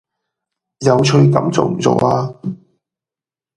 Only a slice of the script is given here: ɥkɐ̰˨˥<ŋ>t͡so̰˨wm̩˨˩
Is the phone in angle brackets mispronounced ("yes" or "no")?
yes